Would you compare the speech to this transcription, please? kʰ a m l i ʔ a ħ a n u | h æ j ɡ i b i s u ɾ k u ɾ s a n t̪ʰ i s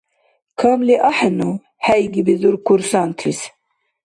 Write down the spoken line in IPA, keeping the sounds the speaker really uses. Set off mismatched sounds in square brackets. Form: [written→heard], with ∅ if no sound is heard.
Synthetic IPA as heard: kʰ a m l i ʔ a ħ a n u | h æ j ɡ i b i [s→z] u ɾ k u ɾ s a n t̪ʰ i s